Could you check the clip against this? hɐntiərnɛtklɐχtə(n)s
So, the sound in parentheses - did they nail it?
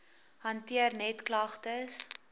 no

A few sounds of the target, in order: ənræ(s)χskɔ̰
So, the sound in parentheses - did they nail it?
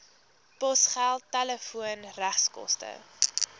no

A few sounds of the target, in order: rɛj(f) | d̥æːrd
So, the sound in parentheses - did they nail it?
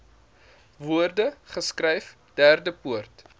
yes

